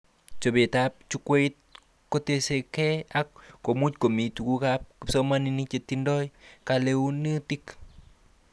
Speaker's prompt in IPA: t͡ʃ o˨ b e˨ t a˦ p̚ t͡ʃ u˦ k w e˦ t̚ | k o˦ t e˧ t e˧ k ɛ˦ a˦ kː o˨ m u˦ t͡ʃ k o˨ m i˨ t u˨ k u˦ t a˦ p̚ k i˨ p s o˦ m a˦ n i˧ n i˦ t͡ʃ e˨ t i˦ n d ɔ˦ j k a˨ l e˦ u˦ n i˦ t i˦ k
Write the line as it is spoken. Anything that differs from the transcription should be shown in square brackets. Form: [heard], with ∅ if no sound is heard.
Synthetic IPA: t͡ʃ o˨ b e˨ t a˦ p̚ t͡ʃ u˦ k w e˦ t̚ | k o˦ t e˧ [s] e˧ k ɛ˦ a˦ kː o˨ m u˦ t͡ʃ k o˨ m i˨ t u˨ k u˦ [k] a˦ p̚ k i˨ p s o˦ m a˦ n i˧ n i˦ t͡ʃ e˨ t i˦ n d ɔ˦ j k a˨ l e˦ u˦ n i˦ t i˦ k